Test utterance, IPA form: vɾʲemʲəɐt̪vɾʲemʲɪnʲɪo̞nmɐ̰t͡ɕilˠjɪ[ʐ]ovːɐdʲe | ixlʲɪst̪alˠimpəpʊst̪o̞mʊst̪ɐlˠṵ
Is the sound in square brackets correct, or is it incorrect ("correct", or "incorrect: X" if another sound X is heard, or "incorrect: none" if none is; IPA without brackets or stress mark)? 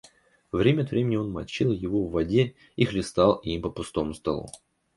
incorrect: v